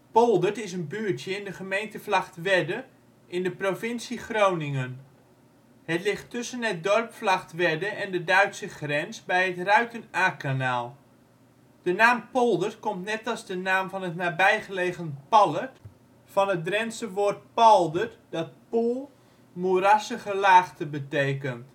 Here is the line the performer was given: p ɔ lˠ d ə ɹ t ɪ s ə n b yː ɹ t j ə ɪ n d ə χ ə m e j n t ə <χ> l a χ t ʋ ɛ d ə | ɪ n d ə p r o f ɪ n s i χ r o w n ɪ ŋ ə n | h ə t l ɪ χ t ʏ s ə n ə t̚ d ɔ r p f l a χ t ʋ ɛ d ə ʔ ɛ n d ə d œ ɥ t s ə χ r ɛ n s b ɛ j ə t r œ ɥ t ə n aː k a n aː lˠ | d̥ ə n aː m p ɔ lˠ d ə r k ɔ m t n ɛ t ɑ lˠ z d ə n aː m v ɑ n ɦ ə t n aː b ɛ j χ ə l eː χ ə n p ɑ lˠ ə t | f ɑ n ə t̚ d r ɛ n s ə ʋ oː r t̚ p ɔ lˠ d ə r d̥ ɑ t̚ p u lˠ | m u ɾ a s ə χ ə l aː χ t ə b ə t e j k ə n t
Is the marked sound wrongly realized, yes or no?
yes